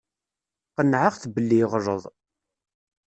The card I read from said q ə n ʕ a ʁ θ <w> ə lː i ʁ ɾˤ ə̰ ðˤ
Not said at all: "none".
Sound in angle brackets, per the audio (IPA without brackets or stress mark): b